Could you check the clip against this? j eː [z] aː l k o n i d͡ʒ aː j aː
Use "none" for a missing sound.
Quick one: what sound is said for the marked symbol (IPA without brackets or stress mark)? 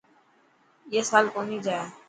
s